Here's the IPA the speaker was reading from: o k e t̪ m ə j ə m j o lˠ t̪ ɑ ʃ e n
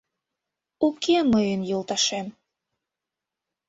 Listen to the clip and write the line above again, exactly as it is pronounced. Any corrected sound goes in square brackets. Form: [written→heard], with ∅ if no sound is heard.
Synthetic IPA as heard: [o→u] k e [t̪→∅] m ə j ə [m→n] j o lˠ t̪ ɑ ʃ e [n→m]